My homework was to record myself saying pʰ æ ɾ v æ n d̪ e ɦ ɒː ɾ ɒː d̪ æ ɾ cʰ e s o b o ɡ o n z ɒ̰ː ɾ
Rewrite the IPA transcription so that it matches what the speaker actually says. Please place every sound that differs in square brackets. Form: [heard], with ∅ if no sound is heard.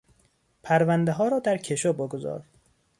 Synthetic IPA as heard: pʰ æ ɾ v æ n d̪ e ɦ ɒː ɾ ɒː d̪ æ ɾ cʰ e [ʃ] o b o ɡ o [∅] z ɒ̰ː ɾ